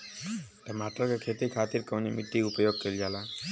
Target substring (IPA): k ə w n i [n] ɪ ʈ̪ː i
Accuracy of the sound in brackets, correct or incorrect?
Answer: incorrect